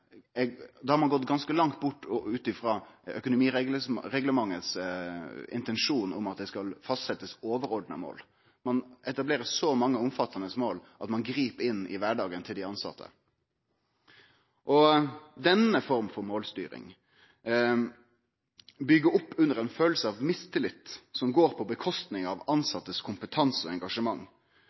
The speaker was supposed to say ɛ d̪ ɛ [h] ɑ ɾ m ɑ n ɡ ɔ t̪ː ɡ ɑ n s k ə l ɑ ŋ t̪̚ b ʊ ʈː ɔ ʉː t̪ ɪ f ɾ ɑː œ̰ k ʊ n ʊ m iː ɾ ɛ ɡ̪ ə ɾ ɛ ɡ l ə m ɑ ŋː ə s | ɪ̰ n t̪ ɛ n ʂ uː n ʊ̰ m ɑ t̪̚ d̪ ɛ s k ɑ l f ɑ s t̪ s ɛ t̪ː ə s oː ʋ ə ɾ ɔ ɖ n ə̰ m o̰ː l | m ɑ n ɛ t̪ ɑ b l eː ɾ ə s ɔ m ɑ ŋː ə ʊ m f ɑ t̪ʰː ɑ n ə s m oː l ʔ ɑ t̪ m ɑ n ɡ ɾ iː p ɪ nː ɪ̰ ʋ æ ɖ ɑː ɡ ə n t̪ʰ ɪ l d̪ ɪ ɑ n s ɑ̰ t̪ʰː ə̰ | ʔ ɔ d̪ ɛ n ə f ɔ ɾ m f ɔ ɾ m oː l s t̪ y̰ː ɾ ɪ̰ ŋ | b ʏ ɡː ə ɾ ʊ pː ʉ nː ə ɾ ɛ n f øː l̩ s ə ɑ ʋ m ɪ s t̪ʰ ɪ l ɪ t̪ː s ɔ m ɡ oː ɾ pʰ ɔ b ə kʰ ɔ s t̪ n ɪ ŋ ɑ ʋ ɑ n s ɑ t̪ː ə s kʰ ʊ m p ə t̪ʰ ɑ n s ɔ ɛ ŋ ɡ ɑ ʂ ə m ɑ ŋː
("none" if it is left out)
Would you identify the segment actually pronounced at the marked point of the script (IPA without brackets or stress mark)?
h